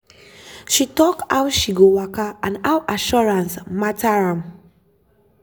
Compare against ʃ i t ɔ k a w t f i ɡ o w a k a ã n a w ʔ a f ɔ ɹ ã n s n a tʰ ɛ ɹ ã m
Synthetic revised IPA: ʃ i t ɔ k a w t ʃ i ɡ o w a k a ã n a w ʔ a ʃ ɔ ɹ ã n s m a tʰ a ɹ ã m